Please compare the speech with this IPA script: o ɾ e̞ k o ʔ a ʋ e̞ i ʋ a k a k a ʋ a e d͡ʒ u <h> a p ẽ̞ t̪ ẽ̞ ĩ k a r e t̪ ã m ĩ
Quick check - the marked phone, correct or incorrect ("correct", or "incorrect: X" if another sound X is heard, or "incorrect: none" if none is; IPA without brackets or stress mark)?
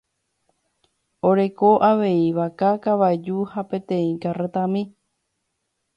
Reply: correct